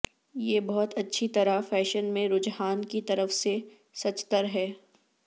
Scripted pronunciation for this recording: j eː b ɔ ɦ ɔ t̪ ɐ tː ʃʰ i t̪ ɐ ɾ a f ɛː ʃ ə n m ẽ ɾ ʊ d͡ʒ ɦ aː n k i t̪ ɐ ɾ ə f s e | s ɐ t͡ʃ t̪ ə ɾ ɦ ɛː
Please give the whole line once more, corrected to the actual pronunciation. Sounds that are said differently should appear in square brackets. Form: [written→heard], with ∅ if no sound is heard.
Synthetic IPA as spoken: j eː b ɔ ɦ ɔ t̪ ɐ tː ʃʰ i t̪ ɐ ɾ a f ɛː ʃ ə n m ẽ ɾ ʊ d͡ʒ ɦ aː n k i t̪ ɐ ɾ ə f s e | s ɐ t͡ʃ t̪ ə ɾ ɦ ɛː